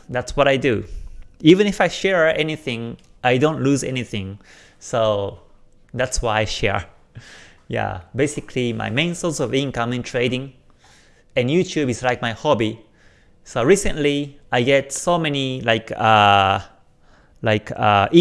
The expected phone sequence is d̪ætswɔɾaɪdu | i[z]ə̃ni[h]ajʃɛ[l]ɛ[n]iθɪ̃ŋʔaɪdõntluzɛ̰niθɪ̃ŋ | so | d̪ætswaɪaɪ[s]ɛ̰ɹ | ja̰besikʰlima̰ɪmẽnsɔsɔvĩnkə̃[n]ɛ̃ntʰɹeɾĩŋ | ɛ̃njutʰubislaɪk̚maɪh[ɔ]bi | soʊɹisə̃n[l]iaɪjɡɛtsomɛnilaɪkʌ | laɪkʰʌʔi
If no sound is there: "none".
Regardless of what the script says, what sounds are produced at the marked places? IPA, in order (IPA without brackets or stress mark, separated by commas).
v, f, ɹ, n, ʃ, m, ɔ, l